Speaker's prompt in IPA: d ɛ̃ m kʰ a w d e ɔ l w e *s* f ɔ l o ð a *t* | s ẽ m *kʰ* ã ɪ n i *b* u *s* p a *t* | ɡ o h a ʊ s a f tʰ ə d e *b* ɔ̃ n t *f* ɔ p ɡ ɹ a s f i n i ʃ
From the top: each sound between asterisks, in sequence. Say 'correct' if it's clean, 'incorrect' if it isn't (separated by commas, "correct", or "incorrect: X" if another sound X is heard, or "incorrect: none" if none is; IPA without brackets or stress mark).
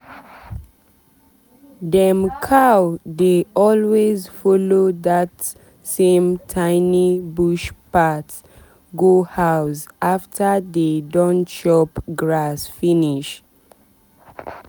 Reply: incorrect: z, correct, incorrect: tʰ, correct, incorrect: ʃ, correct, incorrect: d, incorrect: ʃ